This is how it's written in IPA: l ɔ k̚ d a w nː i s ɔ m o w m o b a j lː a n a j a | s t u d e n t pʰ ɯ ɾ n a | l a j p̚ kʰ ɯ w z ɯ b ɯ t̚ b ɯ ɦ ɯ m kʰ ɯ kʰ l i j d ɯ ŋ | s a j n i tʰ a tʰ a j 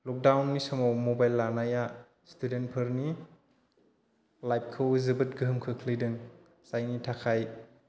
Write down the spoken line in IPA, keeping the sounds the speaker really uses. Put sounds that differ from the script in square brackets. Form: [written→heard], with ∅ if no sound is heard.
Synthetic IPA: l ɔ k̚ d a w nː i s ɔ m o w m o b a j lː a n a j a | s t u d e n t pʰ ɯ ɾ n [a→i] | l a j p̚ kʰ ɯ w z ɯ b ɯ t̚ [b→ɡ] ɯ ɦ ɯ m kʰ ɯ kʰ l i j d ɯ ŋ | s a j n i tʰ a [tʰ→kʰ] a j